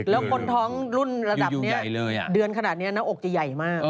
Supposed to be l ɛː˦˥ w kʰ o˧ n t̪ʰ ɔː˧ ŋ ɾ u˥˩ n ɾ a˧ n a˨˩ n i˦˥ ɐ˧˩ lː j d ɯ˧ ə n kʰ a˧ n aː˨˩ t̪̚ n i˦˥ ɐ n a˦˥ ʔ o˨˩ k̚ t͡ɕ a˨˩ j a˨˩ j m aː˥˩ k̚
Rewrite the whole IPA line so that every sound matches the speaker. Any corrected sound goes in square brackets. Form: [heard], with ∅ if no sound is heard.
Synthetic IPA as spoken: l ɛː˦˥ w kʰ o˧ n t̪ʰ [ɔː˦˥] ŋ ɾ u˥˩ n ɾ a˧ [d] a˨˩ n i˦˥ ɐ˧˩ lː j d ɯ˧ ə n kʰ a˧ n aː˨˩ t̪̚ n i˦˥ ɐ n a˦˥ ʔ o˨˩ k̚ t͡ɕ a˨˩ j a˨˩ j m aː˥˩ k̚

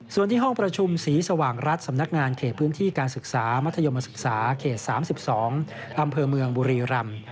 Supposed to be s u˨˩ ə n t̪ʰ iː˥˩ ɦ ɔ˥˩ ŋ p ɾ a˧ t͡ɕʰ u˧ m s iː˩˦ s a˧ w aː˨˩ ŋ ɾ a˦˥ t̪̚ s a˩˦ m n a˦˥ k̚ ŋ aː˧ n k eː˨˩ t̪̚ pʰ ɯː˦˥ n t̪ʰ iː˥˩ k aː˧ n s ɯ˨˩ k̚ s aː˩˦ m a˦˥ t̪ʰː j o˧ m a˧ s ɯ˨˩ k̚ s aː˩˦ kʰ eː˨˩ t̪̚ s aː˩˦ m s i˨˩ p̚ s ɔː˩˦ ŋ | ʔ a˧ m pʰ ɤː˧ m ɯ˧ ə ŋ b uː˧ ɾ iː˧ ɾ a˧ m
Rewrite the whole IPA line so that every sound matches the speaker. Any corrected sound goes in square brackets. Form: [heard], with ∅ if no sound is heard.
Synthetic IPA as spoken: s u˨˩ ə n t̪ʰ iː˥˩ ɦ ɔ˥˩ ŋ p ɾ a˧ t͡ɕʰ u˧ m s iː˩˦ s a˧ w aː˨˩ ŋ ɾ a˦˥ t̪̚ s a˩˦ m n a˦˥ k̚ ŋ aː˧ n [kʰ] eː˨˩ t̪̚ pʰ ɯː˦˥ n t̪ʰ iː˥˩ k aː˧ n s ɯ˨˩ k̚ s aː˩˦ m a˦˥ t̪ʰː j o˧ m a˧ s ɯ˨˩ k̚ s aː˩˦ kʰ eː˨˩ t̪̚ s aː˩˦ m s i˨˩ p̚ s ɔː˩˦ ŋ | ʔ a˧ m pʰ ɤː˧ m ɯ˧ ə ŋ b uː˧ ɾ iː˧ ɾ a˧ m

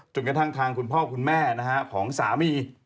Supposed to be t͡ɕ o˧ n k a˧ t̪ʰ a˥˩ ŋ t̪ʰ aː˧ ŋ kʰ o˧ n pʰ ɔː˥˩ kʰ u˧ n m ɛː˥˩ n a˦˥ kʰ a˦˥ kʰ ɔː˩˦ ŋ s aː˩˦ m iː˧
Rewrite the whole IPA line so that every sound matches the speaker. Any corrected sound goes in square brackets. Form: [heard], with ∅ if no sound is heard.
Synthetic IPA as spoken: t͡ɕ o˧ n k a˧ t̪ʰ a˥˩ ŋ t̪ʰ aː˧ ŋ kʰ [u˧] n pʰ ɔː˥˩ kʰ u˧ n m ɛː˥˩ n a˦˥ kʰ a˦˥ kʰ ɔː˩˦ ŋ s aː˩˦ m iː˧

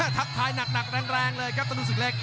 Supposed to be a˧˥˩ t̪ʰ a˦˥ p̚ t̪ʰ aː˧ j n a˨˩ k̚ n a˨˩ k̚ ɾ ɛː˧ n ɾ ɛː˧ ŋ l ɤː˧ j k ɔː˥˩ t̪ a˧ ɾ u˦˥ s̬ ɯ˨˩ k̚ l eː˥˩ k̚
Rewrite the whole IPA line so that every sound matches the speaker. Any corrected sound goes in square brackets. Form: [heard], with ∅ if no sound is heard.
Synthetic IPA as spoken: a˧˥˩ t̪ʰ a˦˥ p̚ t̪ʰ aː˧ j n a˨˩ k̚ n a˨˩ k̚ ɾ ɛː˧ [ŋ] ɾ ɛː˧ ŋ l ɤː˧ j k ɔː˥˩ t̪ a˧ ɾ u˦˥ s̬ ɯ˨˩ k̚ l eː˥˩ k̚

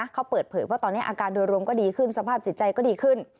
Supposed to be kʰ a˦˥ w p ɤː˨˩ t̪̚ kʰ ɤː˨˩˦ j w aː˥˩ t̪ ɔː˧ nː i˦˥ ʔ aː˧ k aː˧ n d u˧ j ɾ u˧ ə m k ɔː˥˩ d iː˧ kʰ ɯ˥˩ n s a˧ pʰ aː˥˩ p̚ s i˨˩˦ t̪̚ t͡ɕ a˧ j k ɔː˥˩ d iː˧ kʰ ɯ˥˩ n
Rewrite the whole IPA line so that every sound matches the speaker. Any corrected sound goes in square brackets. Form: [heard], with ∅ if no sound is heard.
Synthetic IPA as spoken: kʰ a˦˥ w p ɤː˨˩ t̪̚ [pʰ] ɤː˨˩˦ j w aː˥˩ t̪ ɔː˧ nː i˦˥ ʔ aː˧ k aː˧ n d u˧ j ɾ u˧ ə m k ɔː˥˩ d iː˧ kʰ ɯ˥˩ n s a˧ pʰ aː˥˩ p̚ s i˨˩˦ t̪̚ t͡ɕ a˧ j k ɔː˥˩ d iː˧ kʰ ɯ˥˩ n

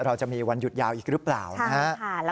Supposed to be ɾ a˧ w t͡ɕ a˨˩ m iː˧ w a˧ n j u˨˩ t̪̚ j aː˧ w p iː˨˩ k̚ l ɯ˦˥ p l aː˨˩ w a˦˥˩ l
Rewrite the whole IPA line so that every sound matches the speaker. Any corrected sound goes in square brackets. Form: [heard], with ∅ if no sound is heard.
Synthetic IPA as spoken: ɾ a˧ w t͡ɕ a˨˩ m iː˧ w a˧ n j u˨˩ t̪̚ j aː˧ w [ʔ] iː˨˩ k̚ [ɾ] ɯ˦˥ p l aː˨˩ w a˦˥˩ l

